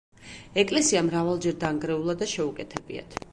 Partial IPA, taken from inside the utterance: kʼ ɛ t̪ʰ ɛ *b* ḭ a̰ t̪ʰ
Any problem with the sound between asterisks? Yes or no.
no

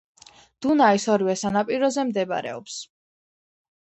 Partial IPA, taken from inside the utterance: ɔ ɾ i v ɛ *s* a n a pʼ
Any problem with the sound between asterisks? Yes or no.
no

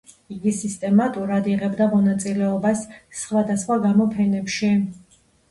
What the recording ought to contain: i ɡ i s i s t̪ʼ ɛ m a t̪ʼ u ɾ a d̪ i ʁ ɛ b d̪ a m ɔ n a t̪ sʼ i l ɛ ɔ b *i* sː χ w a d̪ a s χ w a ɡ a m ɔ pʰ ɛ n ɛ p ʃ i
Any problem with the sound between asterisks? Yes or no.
yes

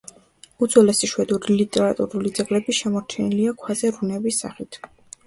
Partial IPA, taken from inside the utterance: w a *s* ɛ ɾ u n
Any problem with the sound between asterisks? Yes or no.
yes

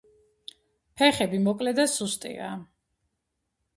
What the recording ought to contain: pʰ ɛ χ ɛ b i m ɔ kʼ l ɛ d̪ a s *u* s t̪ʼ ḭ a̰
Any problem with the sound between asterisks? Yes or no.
no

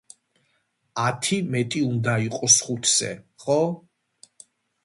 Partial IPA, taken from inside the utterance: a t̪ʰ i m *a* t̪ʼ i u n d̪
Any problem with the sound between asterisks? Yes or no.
yes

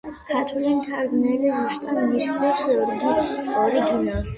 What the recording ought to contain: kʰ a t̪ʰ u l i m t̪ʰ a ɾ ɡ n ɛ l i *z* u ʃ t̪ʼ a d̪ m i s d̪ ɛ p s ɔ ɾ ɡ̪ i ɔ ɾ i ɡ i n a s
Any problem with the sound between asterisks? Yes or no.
no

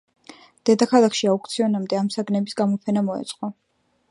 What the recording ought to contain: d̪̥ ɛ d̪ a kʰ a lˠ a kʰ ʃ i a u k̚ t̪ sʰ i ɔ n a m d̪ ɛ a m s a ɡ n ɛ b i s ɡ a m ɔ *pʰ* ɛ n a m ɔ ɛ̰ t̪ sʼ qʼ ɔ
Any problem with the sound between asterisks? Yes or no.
no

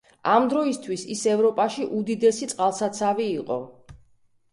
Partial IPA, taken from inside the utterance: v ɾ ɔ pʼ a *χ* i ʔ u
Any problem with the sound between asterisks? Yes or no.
yes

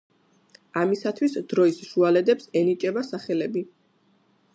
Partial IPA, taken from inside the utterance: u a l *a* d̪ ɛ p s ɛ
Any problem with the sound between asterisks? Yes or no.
yes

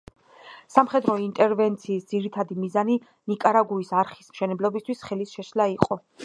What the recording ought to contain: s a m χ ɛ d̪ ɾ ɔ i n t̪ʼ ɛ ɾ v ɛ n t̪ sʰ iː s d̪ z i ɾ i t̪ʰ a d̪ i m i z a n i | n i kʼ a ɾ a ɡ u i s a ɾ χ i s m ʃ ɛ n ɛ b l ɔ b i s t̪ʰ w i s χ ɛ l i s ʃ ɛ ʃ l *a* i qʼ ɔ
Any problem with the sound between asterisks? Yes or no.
no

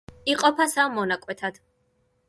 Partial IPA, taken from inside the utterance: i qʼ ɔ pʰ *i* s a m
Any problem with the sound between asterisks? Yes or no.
yes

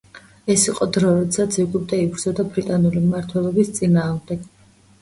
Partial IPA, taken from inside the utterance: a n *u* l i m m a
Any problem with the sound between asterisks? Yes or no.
no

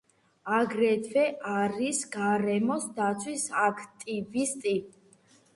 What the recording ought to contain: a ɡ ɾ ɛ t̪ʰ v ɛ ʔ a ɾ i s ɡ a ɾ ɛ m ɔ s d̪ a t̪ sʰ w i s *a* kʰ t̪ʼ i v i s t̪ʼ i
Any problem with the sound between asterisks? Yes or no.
no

